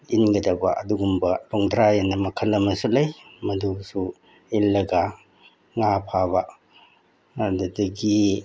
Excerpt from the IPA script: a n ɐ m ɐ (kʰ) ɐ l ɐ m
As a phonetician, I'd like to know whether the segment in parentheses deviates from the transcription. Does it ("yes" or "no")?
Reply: no